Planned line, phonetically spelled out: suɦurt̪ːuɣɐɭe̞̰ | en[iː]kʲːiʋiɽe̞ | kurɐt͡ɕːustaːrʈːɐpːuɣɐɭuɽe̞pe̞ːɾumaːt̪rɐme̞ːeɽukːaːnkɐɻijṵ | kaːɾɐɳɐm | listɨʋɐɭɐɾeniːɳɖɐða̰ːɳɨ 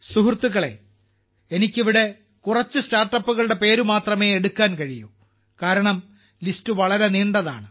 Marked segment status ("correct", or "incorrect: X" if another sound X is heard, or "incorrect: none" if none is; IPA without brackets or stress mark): incorrect: i